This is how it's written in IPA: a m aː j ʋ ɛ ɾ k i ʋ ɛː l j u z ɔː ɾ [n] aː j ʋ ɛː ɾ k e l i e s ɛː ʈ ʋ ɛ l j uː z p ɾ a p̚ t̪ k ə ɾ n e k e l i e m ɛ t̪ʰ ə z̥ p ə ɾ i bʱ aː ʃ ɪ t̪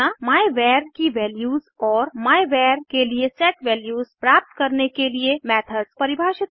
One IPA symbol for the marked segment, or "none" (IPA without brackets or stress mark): m